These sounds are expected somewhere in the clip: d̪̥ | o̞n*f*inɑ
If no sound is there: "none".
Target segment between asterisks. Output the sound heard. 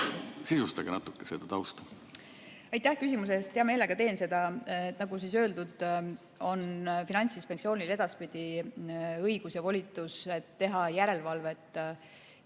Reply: f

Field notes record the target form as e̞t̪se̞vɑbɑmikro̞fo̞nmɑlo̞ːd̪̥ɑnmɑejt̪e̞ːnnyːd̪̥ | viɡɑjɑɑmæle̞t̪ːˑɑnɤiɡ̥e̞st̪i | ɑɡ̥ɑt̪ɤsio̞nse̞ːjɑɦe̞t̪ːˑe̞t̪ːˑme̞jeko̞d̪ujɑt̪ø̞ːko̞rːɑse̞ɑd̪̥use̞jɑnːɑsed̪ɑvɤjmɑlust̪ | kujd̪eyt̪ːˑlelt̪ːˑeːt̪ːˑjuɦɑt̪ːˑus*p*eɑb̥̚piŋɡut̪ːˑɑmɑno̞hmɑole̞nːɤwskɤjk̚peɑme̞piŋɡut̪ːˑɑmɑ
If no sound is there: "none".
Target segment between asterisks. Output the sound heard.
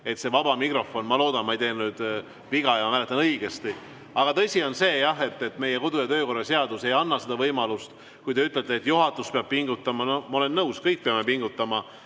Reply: p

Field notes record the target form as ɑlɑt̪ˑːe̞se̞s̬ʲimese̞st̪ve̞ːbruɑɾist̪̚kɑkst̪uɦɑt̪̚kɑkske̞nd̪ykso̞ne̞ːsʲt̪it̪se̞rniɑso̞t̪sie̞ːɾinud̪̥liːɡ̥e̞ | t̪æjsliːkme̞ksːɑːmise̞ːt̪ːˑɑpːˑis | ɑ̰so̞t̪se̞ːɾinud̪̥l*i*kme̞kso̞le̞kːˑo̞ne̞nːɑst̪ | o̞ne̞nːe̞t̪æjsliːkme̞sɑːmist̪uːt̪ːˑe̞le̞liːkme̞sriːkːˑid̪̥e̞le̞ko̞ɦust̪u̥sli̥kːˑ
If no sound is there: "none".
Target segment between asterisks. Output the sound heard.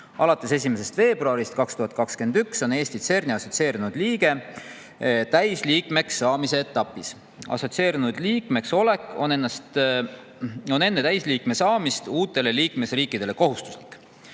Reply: iː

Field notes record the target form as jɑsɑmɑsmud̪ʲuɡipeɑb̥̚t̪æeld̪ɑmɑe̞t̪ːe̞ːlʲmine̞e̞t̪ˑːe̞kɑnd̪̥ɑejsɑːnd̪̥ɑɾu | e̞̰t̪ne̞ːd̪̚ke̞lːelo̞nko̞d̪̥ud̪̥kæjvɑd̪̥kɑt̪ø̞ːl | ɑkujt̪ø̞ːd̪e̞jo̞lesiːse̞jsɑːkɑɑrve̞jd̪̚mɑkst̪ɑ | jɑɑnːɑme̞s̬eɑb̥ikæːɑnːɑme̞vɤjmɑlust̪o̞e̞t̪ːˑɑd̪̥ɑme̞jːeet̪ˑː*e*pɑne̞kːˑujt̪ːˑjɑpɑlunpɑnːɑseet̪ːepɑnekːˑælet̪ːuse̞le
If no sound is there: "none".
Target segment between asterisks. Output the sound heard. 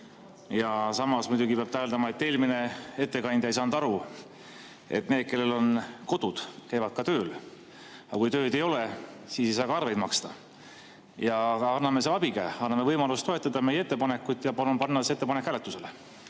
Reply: e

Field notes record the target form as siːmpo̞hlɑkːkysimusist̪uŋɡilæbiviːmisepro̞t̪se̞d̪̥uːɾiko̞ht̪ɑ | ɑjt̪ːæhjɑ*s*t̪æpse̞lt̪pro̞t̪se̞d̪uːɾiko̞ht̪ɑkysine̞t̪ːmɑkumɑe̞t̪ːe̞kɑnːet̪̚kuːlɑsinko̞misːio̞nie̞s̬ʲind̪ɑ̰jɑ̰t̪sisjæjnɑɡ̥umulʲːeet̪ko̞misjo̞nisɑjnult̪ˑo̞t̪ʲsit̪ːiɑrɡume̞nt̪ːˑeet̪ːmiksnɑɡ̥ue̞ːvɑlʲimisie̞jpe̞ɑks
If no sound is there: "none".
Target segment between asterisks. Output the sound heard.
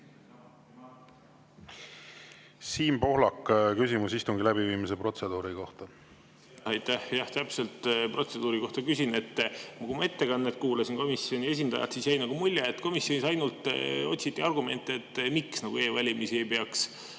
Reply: h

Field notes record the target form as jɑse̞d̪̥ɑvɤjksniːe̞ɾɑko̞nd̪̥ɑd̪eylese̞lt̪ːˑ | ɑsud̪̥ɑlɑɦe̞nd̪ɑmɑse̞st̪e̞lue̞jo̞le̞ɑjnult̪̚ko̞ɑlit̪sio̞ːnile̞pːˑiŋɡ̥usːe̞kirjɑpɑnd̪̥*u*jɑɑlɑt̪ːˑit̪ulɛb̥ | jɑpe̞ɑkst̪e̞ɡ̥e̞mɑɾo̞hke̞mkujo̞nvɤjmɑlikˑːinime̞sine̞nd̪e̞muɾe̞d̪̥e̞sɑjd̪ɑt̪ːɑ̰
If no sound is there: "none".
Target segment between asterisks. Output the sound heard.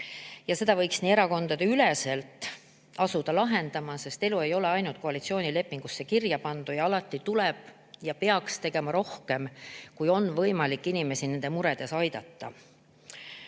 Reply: u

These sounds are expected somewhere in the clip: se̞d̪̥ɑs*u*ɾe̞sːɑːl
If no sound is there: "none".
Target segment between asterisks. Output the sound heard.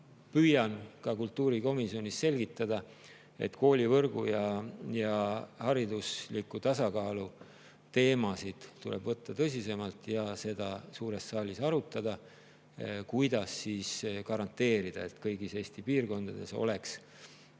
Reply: uː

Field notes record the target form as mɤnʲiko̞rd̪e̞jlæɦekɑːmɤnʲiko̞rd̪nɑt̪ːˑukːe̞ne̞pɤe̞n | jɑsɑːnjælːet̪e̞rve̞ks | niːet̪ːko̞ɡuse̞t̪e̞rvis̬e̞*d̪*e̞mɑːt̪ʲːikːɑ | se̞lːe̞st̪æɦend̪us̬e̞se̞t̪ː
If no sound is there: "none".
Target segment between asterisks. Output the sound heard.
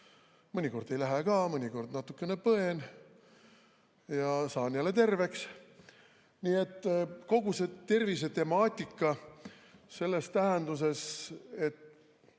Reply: t̪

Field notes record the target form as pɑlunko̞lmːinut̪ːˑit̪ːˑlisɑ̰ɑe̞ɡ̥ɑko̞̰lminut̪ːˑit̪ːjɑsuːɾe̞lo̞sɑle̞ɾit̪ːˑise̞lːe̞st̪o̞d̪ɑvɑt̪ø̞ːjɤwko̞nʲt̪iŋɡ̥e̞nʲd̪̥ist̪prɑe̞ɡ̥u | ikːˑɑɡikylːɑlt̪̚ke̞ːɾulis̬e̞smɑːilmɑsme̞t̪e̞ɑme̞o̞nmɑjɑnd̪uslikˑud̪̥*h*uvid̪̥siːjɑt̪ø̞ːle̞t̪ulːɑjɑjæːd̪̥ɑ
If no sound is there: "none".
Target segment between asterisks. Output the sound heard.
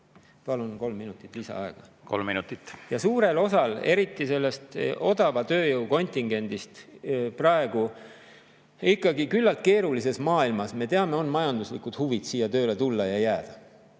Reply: h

